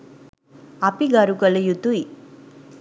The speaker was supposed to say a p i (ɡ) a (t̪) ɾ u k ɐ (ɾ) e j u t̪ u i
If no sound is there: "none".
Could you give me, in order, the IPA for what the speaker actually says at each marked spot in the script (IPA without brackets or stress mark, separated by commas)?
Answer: ɡ, none, l